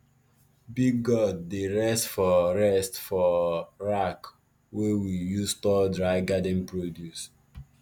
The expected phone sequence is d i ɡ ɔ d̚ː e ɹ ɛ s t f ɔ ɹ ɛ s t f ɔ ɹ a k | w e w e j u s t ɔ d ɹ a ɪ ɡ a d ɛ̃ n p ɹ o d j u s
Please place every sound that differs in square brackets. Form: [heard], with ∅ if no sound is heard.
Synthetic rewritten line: [b] i ɡ ɔ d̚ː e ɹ ɛ s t f ɔ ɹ ɛ s t f ɔ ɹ a k | w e w [i] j u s t ɔ d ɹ a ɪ ɡ a d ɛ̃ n p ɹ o d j u s

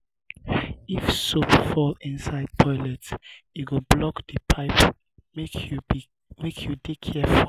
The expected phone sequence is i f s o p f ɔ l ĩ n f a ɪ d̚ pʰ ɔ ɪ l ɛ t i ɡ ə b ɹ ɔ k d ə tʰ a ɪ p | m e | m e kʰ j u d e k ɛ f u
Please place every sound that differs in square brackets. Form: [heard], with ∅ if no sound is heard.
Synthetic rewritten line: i f s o p f ɔ l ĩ n [s] a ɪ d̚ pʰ ɔ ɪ l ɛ t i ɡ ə b [l] ɔ k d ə [pʰ] a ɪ p | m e | m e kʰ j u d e [kʰ] ɛ f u

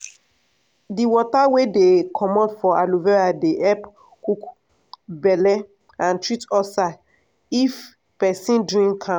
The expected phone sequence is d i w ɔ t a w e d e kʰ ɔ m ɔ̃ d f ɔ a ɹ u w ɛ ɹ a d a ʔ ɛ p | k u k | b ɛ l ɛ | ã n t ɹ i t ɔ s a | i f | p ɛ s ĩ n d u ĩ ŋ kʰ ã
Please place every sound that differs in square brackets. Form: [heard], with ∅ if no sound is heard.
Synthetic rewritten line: d i w ɔ t a w e d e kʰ ɔ m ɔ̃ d f ɔ a [l] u [v] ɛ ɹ a d [e] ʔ ɛ p | k u k | b ɛ l ɛ | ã n t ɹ i t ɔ s a | i f | p ɛ s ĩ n d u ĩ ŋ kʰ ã

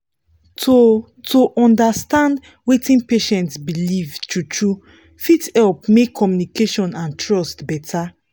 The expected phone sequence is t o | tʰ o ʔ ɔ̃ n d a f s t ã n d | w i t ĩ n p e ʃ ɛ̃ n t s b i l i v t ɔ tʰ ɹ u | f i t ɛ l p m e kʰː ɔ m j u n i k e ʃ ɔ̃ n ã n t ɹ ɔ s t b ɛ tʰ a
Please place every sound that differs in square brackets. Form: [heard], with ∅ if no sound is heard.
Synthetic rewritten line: t o | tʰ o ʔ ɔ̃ n d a [∅] s t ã n d | w [e] t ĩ n p e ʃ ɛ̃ n t s b i l i v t [u] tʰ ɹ u | f i t ɛ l p m e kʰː ɔ m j u n i k e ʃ ɔ̃ n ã n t ɹ ɔ s t b ɛ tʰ a

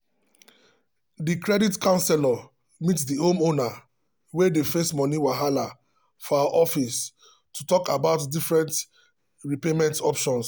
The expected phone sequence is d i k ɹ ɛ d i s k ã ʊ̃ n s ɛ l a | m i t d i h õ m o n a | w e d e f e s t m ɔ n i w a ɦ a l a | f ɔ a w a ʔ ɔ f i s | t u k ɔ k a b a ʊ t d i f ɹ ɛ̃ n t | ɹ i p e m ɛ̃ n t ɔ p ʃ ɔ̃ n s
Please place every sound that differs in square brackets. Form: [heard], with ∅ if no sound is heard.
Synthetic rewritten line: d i k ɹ ɛ d i [t] k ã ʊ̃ n s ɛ l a | m i t d i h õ m o n a | w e d e f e s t m ɔ n i w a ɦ a l a | f ɔ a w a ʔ ɔ f i s | t u [t] ɔ k a b a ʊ t d i f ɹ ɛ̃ n t | ɹ i p e m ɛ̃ n t ɔ p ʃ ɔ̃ n s

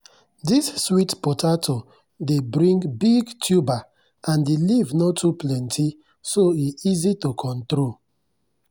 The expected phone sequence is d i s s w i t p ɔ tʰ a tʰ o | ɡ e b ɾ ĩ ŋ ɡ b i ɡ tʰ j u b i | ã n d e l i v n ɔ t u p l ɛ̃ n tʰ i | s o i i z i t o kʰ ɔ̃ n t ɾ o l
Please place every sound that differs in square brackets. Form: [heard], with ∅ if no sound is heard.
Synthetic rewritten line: d i s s w i t p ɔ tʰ a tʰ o | [d] e b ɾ ĩ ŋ ɡ b i ɡ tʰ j u b [a] | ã n d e l i v n ɔ t u p l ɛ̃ n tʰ i | s o i i z i t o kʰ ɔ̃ n t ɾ o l

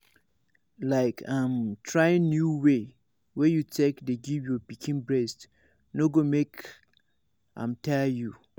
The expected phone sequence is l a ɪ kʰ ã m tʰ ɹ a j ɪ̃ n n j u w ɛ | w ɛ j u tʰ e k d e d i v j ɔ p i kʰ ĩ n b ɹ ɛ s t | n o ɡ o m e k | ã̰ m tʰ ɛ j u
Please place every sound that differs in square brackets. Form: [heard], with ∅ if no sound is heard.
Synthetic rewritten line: l a ɪ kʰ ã m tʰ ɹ a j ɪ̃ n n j u w [e] | w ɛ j u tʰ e k d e [ɡ] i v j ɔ p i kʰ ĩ n b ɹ ɛ s t | n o ɡ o m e k | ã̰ m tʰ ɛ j u

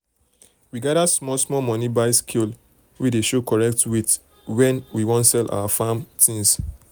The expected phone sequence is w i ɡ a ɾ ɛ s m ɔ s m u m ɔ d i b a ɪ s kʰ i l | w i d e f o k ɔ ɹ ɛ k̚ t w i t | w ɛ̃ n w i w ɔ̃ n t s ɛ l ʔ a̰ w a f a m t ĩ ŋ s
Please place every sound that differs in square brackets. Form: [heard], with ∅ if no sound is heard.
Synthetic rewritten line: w i ɡ a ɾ [a] s m ɔ s m [ɔ] m ɔ [n] i b a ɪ s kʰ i l | w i d e [ʃ] o k ɔ ɹ ɛ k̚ t w i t | w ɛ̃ n w i w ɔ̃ n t s ɛ l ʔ a̰ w a f a m t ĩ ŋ s

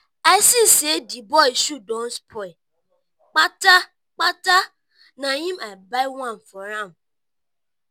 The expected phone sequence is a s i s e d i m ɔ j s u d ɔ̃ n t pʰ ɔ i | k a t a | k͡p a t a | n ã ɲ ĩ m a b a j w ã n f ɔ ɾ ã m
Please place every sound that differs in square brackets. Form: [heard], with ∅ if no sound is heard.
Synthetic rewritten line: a s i s e d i [b] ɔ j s u d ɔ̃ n [s] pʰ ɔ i | [k͡p] a t a | k͡p a t a | n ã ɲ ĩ m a b a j w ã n f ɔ ɾ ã m

